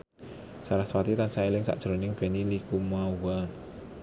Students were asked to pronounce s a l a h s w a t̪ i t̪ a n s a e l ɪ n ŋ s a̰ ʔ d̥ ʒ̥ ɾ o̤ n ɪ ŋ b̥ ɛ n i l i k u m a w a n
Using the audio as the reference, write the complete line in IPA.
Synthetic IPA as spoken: s a ɾ a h s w a t̪ i t̪ a n s a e l ɪ ŋ s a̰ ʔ d̥ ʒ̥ ɾ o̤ n ɪ ŋ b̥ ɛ n i l i k u m a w a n